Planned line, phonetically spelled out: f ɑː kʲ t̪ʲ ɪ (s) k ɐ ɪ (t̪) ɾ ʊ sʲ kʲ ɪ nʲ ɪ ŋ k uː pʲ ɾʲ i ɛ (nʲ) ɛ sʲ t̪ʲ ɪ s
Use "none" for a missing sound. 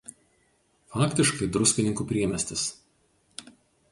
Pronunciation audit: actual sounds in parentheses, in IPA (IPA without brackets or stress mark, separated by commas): ʃ, d̪, mʲ